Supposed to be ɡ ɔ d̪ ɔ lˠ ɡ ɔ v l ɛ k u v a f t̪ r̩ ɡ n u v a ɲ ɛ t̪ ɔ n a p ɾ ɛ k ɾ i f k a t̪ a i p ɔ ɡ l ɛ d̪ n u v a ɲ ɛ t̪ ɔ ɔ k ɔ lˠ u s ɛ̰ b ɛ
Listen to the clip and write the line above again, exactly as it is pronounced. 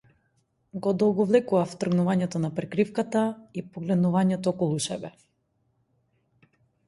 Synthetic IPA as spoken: ɡ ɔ d̪ ɔ lˠ ɡ ɔ v l ɛ k u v a f t̪ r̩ ɡ n u v a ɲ ɛ t̪ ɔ n a p ɾ ɛ k ɾ i f k a t̪ a i p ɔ ɡ l ɛ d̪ n u v a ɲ ɛ t̪ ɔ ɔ k ɔ lˠ u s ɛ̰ b ɛ

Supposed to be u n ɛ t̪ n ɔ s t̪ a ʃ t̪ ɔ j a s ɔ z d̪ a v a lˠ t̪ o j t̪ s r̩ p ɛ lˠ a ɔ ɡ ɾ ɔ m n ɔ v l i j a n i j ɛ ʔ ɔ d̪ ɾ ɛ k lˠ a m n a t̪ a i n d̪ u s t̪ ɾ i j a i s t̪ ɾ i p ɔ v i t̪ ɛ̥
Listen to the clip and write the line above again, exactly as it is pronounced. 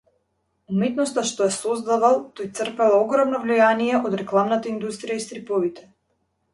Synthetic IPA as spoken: u m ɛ t̪ n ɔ s t̪ a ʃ t̪ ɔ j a s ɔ z d̪ a v a lˠ t̪ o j t̪ s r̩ p ɛ lˠ a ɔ ɡ ɾ ɔ m n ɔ v l i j a n i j ɛ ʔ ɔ d̪ ɾ ɛ k lˠ a m n a t̪ a i n d̪ u s t̪ ɾ i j a i s t̪ ɾ i p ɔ v i t̪ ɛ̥

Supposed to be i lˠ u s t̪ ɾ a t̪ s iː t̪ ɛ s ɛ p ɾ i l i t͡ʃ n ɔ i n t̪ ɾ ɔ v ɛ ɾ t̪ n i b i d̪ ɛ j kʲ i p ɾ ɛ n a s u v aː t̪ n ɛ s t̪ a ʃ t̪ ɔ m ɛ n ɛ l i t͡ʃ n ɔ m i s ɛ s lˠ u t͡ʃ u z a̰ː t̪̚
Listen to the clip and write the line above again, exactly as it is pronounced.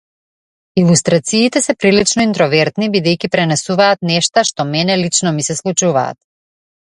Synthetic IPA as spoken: i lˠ u s t̪ ɾ a t̪ s iː t̪ ɛ s ɛ p ɾ i l i t͡ʃ n ɔ i n t̪ ɾ ɔ v ɛ ɾ t̪ n i b i d̪ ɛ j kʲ i p ɾ ɛ n ɛ s u v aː t̪ n ɛ ʃ t̪ a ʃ t̪ ɔ m ɛ n ɛ l i t͡ʃ n ɔ m i s ɛ s lˠ u t͡ʃ u v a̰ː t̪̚

